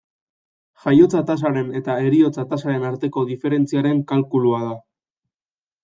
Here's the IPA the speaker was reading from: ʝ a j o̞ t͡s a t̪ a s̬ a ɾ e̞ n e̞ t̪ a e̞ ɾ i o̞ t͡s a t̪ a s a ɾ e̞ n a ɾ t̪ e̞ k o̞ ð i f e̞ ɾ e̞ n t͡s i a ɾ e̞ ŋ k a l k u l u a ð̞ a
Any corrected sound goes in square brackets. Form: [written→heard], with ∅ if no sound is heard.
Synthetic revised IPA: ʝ a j o̞ t͡s a t̪ a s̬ a ɾ e̞ n e̞ t̪ a e̞ ɾ i o̞ t͡s a t̪ a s a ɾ e̞ n a ɾ t̪ e̞ k o̞ ð i f e̞ ɾ e̞ n t͡s i a ɾ e̞ ŋ k a l k u l u a ð̞ a